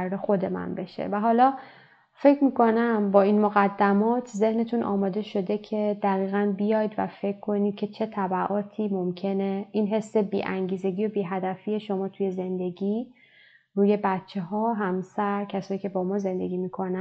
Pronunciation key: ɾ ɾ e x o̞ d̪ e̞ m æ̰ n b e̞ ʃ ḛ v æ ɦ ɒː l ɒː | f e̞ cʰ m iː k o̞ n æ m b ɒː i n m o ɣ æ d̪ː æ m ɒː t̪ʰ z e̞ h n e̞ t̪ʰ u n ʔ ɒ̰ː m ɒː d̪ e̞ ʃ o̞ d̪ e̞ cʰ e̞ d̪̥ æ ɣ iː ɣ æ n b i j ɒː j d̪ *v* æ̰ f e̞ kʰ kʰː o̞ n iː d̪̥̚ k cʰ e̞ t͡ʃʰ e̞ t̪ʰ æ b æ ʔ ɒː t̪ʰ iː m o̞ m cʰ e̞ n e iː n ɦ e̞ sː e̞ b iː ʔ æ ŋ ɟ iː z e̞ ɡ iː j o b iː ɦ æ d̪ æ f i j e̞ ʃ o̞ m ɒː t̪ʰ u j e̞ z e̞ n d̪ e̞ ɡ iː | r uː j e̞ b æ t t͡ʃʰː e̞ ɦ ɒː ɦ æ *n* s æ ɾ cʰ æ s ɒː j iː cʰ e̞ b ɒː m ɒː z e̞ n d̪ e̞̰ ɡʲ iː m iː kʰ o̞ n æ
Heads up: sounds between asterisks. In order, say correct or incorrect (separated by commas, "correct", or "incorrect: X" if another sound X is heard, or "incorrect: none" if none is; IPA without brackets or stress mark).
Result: correct, incorrect: m